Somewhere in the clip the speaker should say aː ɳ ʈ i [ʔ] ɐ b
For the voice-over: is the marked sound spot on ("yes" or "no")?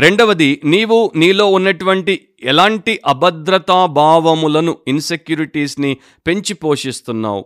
yes